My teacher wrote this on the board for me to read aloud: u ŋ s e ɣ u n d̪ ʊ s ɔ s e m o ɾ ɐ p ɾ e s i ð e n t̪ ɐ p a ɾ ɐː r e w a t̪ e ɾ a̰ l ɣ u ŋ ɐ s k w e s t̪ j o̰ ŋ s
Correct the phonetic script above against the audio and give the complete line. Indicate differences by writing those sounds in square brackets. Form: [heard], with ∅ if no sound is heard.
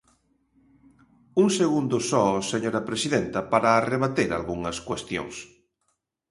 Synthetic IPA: u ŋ s e ɣ u n d̪ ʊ s ɔ s e [ɲ] o ɾ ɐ p ɾ e s i ð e n t̪ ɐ p a ɾ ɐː r e [β] a t̪ e ɾ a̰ l ɣ u ŋ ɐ s k w e s t̪ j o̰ ŋ s

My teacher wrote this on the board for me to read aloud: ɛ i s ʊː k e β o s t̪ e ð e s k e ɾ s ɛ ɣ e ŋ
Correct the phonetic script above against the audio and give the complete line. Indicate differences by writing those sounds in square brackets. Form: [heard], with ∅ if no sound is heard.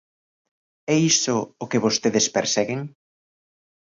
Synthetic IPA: ɛ i s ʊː k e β o s t̪ e ð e s [p] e ɾ s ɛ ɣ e ŋ

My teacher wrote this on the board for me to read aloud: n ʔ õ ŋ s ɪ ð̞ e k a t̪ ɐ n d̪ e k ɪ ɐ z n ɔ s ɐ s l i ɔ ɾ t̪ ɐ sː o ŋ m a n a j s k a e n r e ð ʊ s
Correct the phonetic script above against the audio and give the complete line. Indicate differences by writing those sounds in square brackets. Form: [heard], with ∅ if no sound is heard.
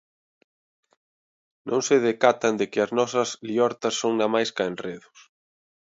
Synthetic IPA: n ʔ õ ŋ s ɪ ð̞ e k a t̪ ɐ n d̪ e k ɪ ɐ z n ɔ s ɐ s l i ɔ ɾ t̪ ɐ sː o ŋ [n] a [m] a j s k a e n r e ð ʊ s

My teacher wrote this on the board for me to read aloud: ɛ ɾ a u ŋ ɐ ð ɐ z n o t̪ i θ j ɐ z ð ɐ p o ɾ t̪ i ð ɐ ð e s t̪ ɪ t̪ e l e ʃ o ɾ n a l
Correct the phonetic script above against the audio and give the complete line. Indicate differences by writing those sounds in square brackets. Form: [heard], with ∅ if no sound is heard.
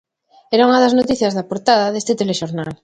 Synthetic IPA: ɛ ɾ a u ŋ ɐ ð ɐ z n o t̪ i θ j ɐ z ð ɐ p o ɾ t̪ [a] ð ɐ ð e s t̪ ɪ t̪ e l e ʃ o ɾ n a l

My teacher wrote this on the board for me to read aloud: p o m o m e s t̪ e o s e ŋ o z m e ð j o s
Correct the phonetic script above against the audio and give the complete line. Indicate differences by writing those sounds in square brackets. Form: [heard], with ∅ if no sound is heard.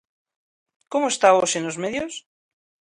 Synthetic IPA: [k] o m o [∅] e s t̪ [a] o s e [n] o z m e ð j o s

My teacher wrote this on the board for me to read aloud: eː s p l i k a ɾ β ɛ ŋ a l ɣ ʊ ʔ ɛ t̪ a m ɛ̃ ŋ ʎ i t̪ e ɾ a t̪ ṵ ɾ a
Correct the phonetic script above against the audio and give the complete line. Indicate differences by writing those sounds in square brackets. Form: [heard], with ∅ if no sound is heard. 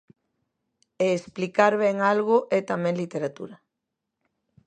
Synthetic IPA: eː s p l i k a ɾ β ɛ ŋ a l ɣ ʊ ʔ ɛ t̪ a m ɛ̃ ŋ [l] i t̪ e ɾ a t̪ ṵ ɾ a

